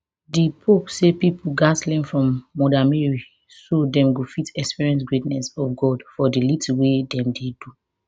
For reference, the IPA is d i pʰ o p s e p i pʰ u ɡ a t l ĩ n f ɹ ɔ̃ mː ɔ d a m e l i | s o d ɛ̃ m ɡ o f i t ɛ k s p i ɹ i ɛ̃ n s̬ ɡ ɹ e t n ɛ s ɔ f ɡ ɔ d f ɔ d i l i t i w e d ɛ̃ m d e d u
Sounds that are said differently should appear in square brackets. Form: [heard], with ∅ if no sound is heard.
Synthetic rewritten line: d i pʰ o p s e p i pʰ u ɡ a [s] l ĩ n f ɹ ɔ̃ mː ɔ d a m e [ɹ] i | s o d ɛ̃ m ɡ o f i t ɛ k s p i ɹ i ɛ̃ n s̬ ɡ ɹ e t n ɛ s ɔ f ɡ ɔ d f ɔ d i l i t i w e d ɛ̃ m d e d u